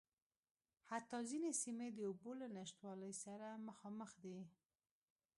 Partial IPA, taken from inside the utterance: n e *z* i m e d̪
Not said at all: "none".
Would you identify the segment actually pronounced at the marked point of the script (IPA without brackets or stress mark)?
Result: s